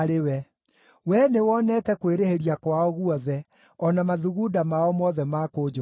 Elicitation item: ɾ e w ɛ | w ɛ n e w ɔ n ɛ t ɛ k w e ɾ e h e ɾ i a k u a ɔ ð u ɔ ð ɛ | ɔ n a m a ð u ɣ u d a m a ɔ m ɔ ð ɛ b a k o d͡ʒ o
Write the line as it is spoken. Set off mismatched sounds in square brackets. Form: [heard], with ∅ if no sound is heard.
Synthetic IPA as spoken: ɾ e w ɛ | w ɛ n e w ɔ n ɛ t ɛ k w e ɾ e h e ɾ i a k [w] a ɔ [ɣ] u ɔ ð ɛ | ɔ n a m a ð u ɣ u d a m a ɔ m ɔ ð ɛ [m] a k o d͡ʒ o

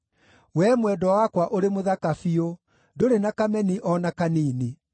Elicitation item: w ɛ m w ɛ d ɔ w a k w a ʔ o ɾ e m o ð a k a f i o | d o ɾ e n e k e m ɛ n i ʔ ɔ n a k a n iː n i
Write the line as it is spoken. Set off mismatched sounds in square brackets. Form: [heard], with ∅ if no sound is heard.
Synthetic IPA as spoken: w ɛ m w ɛ d ɔ w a k w a ʔ o ɾ e m o ð a k a f i o | d o ɾ e n [a] k [a] m ɛ n i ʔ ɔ n a k a n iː n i

